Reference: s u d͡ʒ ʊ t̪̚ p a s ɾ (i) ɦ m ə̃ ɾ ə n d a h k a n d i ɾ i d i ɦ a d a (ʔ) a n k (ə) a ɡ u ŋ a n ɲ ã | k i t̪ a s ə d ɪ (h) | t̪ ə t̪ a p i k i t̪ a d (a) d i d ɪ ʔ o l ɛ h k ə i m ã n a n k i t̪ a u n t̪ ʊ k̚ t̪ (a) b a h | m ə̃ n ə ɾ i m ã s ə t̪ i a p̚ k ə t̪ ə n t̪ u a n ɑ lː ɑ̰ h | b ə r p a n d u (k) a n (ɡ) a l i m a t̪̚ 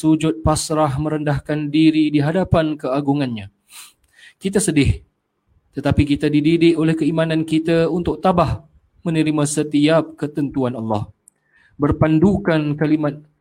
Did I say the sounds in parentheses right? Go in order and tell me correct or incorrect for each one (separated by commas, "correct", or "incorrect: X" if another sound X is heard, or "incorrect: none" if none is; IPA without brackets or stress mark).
incorrect: a, incorrect: p, correct, correct, incorrect: i, correct, correct, incorrect: k